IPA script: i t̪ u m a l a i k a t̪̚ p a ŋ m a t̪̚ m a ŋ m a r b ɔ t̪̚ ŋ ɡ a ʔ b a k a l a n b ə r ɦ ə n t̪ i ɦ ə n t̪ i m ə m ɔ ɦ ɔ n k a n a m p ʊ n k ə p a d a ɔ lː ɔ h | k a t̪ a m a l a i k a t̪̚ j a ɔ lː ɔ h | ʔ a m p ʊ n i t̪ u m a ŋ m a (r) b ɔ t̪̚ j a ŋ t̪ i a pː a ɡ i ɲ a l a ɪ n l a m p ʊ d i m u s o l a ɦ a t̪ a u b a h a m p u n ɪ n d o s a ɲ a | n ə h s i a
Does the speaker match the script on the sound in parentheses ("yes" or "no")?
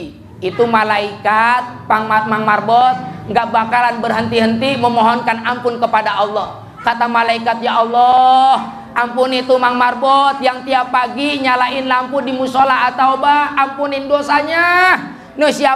yes